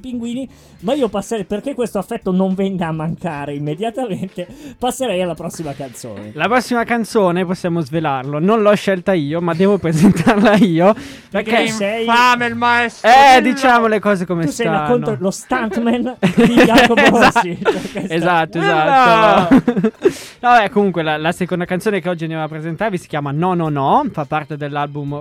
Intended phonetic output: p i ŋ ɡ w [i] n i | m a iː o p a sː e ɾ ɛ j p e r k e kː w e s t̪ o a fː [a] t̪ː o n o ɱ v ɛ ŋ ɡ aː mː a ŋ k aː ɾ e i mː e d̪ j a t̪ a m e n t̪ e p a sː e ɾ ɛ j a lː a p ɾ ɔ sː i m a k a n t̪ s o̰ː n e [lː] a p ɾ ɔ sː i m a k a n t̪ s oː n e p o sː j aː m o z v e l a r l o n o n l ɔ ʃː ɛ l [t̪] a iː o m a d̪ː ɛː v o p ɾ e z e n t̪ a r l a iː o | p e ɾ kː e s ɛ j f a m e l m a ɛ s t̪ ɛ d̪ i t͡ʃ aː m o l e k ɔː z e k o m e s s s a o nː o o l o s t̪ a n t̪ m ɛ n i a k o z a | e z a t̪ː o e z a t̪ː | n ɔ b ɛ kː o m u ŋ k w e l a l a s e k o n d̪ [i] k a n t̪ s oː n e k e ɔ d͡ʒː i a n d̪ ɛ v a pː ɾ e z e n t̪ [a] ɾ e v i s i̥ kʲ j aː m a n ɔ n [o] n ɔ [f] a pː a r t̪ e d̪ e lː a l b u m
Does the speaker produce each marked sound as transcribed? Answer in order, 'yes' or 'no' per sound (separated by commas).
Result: no, no, no, yes, no, yes, no, yes